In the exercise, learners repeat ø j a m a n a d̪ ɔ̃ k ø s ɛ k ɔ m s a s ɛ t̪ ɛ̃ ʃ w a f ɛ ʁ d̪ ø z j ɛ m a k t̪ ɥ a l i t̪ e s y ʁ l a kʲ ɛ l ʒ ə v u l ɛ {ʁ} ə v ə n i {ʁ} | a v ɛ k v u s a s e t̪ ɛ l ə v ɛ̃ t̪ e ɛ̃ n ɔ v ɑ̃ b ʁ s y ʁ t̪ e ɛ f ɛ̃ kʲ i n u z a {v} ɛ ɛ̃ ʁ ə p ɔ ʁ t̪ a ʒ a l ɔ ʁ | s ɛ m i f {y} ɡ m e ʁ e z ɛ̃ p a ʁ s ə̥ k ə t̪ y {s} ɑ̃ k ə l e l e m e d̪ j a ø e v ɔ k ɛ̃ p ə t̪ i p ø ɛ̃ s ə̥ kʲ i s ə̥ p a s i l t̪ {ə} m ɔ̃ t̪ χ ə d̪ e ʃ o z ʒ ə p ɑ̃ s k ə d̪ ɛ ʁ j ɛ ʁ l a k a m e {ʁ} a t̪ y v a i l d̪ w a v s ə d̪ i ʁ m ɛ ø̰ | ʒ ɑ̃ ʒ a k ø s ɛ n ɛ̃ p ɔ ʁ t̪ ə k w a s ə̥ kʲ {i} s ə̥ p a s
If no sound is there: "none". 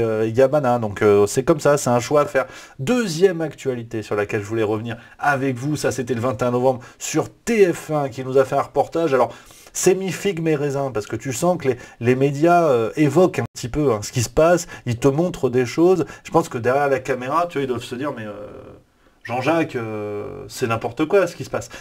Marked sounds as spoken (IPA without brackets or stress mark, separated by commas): ʁ, ʁ, f, i, s, ə, ʁ, i